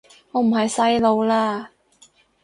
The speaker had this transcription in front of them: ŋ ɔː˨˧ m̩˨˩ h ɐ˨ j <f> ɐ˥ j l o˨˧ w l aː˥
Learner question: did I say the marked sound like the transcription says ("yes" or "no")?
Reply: no